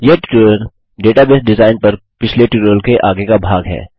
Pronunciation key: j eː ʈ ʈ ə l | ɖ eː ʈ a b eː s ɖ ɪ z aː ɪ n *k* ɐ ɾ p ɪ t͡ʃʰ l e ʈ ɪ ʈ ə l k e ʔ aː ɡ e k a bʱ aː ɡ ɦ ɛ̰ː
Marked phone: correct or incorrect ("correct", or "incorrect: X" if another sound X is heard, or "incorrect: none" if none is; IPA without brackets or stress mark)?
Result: incorrect: p